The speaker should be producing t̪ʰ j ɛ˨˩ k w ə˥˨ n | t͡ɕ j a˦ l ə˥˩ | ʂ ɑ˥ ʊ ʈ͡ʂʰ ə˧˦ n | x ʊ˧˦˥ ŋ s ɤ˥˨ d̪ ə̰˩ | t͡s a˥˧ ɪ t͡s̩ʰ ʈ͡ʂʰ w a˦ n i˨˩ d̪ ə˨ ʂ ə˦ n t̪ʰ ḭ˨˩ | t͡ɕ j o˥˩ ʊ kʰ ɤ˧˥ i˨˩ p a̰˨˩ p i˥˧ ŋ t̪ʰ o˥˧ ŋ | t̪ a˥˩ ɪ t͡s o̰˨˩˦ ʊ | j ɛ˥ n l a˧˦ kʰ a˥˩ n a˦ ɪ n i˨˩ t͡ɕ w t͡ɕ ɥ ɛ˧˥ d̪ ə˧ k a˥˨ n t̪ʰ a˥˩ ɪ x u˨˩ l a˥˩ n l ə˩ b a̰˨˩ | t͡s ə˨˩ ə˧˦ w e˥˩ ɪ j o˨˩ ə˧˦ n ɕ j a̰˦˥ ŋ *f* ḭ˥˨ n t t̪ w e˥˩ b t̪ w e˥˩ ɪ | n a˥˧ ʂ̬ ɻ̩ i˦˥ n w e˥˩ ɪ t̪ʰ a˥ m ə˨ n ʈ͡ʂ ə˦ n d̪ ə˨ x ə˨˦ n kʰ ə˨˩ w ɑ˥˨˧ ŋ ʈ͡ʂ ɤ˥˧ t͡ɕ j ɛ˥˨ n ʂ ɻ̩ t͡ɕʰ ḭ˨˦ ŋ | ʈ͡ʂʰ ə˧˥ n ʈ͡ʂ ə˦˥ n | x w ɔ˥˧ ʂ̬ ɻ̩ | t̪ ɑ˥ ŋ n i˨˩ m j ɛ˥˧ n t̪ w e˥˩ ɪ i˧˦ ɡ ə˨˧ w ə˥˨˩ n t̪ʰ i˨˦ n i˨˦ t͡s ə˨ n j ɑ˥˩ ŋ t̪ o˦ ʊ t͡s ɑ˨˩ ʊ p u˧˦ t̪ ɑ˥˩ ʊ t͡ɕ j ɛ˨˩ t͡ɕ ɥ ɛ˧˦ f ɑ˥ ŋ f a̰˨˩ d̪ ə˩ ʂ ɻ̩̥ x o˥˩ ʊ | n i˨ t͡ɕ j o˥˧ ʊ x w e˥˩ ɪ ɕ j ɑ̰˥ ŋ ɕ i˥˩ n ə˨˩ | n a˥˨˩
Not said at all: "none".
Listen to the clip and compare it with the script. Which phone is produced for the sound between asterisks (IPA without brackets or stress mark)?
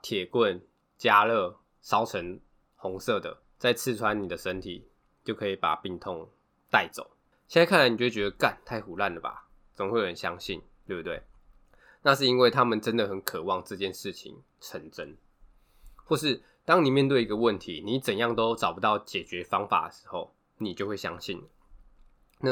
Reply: ɕ